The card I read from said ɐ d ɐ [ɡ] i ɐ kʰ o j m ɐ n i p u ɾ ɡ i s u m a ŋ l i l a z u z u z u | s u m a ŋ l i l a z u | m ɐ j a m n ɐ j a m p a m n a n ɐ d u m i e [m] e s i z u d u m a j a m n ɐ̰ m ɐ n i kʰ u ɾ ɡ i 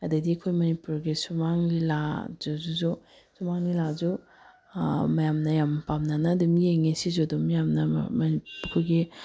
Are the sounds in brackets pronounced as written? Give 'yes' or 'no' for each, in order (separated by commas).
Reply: no, no